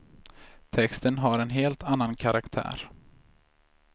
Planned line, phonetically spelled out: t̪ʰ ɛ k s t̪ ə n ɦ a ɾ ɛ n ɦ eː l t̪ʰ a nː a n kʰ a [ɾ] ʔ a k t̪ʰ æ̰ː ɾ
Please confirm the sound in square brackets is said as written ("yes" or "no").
yes